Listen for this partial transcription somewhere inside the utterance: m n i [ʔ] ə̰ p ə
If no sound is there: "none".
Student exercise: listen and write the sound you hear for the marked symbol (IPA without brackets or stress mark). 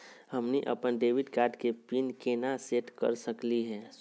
ʔ